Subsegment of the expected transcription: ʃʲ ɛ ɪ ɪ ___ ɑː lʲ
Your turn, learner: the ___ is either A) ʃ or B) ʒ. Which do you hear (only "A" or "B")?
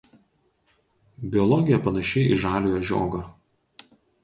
B